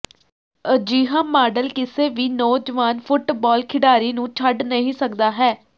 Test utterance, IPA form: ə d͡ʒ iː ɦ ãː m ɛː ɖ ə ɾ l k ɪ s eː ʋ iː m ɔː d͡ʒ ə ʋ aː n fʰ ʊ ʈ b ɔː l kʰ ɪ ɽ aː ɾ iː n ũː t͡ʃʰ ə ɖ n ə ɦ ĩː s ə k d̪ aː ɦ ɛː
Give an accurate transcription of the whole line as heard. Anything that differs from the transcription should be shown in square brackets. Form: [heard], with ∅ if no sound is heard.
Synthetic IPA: ə d͡ʒ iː ɦ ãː m [aː] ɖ ə [∅] l k ɪ s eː ʋ iː [n] ɔː d͡ʒ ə ʋ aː n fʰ ʊ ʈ b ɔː l kʰ ɪ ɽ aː ɾ iː n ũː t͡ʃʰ ə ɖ n ə ɦ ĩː s ə k d̪ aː ɦ ɛː